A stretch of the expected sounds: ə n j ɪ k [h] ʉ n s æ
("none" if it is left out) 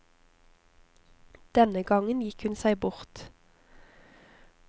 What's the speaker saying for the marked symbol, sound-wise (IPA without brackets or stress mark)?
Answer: h